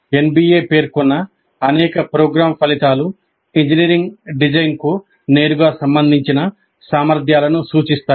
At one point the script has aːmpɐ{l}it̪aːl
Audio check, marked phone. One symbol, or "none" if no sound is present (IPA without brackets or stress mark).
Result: l